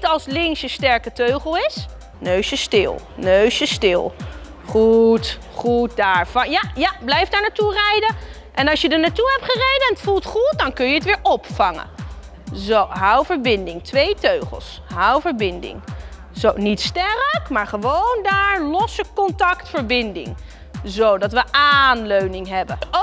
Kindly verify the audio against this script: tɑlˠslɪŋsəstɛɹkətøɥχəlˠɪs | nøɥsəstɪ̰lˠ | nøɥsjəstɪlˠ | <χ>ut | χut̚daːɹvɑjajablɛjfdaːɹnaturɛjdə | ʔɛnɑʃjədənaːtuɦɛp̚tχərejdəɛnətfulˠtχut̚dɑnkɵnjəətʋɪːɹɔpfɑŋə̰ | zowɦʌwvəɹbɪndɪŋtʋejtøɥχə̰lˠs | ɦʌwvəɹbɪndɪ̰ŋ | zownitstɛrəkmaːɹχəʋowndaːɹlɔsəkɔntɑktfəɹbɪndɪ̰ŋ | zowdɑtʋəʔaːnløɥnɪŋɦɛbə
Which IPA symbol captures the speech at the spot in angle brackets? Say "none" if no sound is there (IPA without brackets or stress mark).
χ